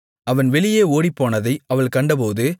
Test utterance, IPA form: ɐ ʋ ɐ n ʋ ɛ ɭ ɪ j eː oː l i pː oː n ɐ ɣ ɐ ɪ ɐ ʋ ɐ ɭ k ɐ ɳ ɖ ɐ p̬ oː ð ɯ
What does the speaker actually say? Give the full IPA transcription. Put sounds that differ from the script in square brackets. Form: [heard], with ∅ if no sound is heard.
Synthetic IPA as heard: ɐ ʋ ɐ n ʋ ɛ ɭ ɪ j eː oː [ɽ] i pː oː n ɐ [ð] ɐ ɪ ɐ ʋ ɐ ɭ k ɐ ɳ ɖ ɐ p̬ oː ð ɯ